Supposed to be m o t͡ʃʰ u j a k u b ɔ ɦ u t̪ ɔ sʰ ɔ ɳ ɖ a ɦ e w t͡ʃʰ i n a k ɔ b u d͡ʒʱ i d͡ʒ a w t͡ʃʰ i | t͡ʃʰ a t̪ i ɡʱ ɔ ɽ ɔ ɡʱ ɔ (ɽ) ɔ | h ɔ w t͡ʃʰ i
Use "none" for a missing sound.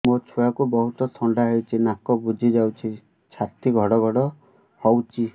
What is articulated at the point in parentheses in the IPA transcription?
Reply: ɽ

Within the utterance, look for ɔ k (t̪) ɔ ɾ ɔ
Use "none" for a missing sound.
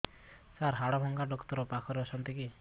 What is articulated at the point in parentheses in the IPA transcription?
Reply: t̪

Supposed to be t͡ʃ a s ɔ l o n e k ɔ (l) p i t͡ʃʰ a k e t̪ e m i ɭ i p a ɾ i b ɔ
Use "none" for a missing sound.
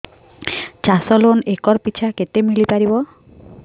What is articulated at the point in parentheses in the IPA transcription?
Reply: ɾ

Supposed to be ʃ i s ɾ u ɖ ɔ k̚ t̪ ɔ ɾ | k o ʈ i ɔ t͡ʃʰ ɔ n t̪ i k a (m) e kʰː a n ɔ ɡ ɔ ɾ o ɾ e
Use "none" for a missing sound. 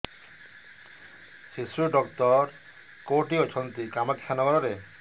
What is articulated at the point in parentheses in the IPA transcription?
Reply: m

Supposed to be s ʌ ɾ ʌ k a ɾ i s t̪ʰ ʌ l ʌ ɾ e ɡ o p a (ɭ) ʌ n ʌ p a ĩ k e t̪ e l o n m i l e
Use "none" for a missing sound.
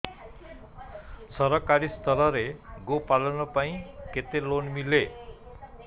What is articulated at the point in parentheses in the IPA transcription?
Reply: l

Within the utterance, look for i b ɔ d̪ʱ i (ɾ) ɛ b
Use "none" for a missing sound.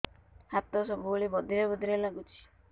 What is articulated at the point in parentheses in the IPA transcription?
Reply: ɾ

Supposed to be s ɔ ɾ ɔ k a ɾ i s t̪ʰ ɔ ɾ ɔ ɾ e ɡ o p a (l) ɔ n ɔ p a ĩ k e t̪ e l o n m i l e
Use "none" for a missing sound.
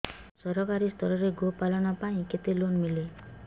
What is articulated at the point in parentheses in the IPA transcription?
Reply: l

